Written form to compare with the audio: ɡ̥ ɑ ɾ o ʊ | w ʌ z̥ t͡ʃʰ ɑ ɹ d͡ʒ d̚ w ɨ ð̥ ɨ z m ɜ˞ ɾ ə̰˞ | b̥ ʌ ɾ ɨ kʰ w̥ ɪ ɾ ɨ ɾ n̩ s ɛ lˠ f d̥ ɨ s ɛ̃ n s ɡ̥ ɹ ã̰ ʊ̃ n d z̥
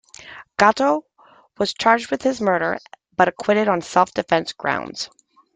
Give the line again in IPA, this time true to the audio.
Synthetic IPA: ɡ̥ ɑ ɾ o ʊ | w ʌ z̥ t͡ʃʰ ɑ ɹ d͡ʒ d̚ w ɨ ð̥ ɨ z m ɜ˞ ɾ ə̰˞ | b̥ ʌ ɾ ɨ kʰ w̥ ɪ ɾ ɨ ɾ n̩ s ɛ lˠ f d̥ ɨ f ɛ̃ n s ɡ̥ ɹ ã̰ ʊ̃ n d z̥

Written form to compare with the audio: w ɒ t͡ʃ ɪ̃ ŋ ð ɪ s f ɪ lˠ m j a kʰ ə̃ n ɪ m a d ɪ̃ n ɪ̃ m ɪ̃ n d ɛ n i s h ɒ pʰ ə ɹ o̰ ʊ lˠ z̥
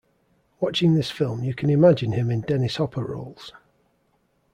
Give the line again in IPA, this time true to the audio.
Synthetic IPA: w ɒ t͡ʃ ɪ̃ ŋ ð ɪ s f ɪ lˠ m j ə kʰ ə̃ n ɪ m a d͡ʒ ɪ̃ n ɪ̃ m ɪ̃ n d ɛ n ɪ s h ɒ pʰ ə ɹ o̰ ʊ lˠ z̥

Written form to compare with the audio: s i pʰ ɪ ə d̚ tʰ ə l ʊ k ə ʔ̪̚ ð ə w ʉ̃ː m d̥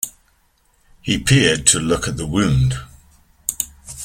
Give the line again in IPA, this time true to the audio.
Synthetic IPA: h i pʰ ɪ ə d̚ tʰ ə l ʊ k ə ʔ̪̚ ð ə w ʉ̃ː n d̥

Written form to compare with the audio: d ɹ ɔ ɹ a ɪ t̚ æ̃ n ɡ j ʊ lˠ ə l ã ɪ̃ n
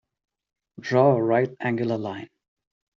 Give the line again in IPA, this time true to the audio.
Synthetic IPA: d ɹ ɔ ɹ a ɪ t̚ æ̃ ŋ ɡ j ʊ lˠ ə l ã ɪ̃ n

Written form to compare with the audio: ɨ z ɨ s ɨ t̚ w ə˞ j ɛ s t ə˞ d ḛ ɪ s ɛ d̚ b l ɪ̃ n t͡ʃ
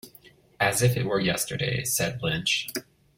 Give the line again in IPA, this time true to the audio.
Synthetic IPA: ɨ z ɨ f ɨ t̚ w ə˞ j ɛ s t ə˞ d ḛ ɪ s ɛ d̚ b l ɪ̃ n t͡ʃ

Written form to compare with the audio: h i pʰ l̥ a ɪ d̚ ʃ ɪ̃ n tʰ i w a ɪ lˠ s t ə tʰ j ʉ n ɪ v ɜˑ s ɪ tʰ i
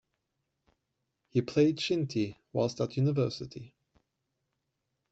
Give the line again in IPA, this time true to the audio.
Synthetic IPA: h i pʰ l̥ e ɪ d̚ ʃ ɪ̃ n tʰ i w a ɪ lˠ s t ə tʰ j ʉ n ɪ v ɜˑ s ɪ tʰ i

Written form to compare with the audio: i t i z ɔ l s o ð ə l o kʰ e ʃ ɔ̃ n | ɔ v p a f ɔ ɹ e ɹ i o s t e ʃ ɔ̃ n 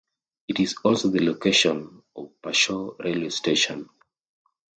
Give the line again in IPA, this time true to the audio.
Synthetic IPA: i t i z ɔ l s o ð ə l o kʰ e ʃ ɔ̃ n | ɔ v p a ʃ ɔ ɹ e l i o s t e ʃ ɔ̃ n

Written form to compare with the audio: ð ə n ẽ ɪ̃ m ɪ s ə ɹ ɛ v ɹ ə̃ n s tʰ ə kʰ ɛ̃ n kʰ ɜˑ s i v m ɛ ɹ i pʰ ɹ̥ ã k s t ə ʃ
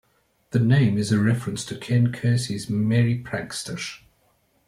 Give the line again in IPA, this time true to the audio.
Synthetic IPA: ð ə n ẽ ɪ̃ m ɪ z ə ɹ ɛ f ɹ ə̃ n s tʰ ə kʰ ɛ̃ n kʰ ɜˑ s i z m ɛ ɹ i pʰ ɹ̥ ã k s t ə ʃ

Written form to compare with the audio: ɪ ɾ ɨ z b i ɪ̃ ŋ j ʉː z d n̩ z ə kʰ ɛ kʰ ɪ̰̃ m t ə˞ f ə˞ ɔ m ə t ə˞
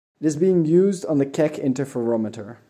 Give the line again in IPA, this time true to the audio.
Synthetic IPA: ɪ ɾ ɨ z b i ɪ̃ ŋ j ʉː z d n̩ ð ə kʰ ɛ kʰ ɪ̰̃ n t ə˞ f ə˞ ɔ m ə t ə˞

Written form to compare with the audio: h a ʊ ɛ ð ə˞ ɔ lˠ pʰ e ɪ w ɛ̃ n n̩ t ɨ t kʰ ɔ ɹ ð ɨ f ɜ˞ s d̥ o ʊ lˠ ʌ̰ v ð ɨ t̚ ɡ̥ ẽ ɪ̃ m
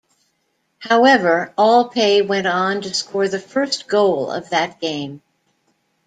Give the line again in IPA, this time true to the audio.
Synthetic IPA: h a ʊ ɛ v ə˞ ɔ lˠ pʰ e ɪ w ɛ̃ n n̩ t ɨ s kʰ ɔ ɹ ð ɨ f ɜ˞ s ɡ̥ o ʊ lˠ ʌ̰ v ð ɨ t̚ ɡ̥ ẽ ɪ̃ m

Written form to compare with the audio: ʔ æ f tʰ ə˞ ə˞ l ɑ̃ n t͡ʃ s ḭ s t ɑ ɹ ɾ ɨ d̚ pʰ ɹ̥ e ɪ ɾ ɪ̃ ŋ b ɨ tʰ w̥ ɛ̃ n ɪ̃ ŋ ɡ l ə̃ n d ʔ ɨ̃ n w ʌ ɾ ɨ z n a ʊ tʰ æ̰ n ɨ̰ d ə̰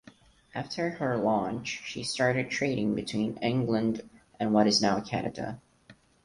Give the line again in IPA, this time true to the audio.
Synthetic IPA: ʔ æ f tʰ ə˞ ə˞ l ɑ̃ n t͡ʃ ʃ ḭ s t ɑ ɹ ɾ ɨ d̚ tʰ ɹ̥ e ɪ ɾ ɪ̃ ŋ b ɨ tʰ w̥ ĩ n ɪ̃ ŋ ɡ l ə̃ n d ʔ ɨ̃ n w ʌ ɾ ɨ z n a ʊ kʰ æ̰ n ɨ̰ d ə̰

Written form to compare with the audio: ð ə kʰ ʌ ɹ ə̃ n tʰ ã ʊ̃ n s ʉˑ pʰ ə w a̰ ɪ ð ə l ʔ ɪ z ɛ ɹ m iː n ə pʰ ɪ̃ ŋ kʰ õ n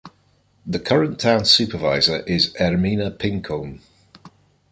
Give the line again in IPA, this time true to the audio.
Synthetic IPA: ð ə kʰ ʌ ɹ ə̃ n tʰ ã ʊ̃ n s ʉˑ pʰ ə v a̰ ɪ z ə ɹ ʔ ɪ z ɛ ɹ m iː n ə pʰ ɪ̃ ŋ kʰ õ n

